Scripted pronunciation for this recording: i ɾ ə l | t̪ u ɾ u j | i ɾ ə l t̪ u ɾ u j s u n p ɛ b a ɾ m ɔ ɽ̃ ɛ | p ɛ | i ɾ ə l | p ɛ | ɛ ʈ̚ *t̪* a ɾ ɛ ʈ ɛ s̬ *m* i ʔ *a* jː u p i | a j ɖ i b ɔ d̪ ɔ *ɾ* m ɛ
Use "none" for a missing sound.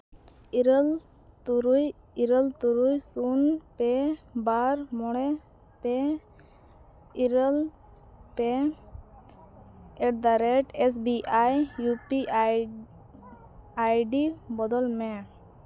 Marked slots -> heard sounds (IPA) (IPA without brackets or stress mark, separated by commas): d̪, b, a, l